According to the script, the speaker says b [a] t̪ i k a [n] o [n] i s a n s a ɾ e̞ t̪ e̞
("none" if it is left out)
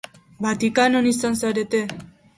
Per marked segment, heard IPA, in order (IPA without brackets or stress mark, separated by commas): a, n, n